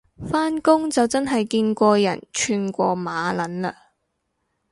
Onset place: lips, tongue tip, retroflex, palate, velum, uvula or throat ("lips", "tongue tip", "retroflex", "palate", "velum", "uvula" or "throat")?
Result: lips